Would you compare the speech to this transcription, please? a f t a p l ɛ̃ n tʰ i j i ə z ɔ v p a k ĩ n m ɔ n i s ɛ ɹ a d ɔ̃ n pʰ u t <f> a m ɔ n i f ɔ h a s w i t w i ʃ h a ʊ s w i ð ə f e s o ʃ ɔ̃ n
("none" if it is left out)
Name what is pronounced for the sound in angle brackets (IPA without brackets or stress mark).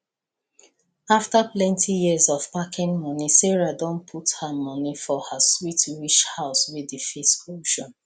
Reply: h